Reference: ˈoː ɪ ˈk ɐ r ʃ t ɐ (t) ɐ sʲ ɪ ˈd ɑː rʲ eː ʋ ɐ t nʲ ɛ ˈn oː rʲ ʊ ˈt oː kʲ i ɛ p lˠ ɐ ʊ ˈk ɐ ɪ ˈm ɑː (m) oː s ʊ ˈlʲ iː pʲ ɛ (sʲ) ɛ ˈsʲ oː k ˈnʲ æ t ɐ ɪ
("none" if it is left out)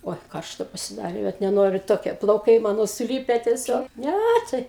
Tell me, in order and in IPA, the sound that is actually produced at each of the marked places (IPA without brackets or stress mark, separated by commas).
p, n, tʲ